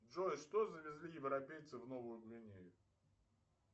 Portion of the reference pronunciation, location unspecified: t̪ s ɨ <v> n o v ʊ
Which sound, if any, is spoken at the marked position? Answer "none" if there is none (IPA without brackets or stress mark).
v